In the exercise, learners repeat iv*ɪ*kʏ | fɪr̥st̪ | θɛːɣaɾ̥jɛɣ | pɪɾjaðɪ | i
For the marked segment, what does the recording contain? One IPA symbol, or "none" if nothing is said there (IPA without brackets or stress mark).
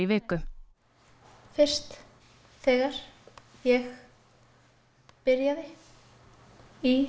ɪː